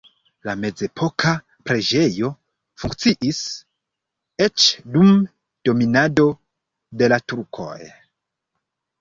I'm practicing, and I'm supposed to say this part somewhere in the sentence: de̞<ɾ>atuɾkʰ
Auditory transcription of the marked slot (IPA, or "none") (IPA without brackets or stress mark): l